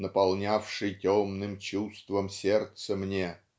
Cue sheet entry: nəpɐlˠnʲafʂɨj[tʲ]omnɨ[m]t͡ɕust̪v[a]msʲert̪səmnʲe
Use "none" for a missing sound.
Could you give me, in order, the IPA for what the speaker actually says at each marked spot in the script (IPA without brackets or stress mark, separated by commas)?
tʲ, m, ə